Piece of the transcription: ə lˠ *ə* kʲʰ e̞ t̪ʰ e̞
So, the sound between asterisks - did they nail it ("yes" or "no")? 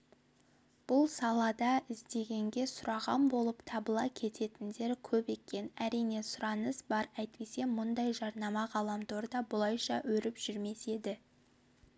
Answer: no